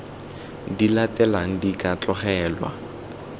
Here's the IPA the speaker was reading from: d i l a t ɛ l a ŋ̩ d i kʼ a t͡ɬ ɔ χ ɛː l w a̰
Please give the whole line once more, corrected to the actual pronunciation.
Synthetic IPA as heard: d i l a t ɛ l a ŋ̩ d i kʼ a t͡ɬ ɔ χ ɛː l w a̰